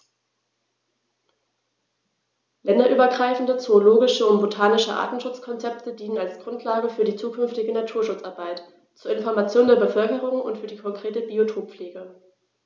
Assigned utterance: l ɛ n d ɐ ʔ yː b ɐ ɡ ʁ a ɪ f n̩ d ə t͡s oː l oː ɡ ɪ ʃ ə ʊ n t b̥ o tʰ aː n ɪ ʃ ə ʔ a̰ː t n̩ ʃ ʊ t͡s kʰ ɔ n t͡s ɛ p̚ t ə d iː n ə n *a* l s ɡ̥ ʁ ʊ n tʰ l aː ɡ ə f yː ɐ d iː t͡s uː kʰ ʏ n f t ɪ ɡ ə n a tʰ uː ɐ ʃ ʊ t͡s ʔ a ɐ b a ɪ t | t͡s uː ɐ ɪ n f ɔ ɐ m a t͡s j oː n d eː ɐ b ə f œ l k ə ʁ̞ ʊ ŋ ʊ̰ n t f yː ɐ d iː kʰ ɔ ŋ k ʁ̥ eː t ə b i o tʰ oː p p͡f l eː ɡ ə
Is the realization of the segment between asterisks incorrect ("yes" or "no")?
no